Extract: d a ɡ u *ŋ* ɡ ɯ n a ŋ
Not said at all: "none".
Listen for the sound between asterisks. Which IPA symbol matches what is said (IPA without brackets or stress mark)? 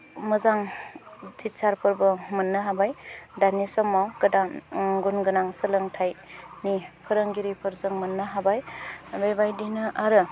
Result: n